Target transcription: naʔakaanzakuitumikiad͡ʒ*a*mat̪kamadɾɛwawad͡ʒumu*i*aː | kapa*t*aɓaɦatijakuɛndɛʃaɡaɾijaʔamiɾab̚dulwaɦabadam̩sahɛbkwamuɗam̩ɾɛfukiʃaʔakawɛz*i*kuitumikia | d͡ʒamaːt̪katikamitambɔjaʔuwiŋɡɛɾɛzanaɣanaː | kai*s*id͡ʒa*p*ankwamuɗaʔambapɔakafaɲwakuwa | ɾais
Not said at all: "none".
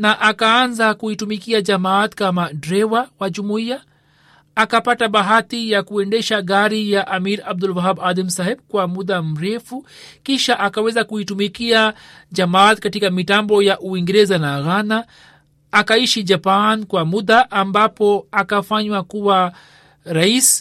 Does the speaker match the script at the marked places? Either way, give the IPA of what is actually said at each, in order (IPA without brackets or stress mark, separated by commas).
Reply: a, i, t, a, ʃ, p